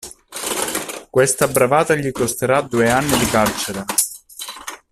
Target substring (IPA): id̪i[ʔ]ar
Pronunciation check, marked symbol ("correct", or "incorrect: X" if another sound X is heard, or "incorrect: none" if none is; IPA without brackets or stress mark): incorrect: k